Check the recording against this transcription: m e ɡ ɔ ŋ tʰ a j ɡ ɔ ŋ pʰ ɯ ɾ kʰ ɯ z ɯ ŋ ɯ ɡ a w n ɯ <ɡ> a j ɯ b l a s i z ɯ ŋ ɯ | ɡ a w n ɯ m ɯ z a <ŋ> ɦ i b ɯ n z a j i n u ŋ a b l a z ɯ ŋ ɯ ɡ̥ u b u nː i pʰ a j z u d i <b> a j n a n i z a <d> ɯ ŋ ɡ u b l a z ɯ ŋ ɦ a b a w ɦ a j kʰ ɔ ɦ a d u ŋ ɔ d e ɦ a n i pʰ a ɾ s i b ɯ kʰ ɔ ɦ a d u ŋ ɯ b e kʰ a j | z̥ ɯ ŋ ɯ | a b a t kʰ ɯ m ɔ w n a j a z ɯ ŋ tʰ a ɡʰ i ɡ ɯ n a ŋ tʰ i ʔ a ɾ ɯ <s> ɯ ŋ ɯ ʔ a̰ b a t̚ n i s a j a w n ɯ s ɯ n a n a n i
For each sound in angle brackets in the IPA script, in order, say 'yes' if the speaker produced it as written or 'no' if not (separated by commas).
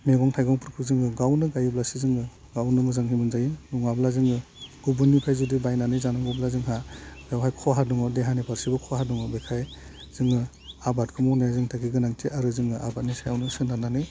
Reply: yes, yes, yes, no, no